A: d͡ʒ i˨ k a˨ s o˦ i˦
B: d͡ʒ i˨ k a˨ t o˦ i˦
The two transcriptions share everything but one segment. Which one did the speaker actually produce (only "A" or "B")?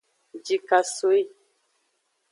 A